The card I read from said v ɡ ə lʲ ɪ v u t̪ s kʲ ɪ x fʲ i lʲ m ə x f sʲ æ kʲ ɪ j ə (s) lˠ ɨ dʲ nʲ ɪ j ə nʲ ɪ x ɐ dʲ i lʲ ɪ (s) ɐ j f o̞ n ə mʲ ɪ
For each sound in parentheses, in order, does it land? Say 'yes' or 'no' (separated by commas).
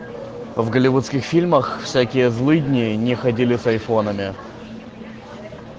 no, yes